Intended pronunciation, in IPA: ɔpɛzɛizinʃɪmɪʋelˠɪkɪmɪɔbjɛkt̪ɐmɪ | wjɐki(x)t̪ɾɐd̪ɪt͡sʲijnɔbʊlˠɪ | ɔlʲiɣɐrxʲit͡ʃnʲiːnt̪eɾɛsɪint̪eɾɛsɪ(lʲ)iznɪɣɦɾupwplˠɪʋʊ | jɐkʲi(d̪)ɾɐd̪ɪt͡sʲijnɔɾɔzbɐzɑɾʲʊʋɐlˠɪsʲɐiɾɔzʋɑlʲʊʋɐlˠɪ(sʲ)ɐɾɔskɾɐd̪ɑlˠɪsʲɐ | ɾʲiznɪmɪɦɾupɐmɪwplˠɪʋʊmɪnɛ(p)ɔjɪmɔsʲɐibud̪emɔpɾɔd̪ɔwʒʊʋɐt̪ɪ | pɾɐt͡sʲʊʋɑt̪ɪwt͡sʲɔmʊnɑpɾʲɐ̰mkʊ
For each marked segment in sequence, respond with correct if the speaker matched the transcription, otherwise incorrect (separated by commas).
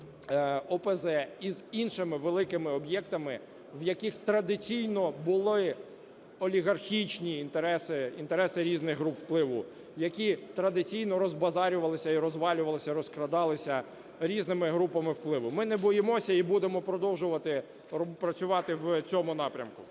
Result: correct, incorrect, incorrect, correct, incorrect